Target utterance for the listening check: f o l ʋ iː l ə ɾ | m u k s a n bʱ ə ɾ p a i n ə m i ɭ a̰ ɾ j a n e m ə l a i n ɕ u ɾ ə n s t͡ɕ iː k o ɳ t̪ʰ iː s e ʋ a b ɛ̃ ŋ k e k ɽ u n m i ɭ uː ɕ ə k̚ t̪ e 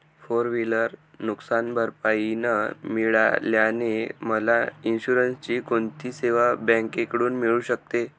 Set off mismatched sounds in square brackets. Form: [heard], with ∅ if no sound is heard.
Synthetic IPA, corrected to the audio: f o [ɾ] ʋ [i] l ə ɾ | [n] u k s a n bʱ ə ɾ p a i n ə m i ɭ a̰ [l] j a n e m ə l a i n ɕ u ɾ ə n s t͡ɕ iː k o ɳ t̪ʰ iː s e ʋ a b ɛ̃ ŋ k e k ɽ [uː] n m i ɭ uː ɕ ə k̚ t̪ e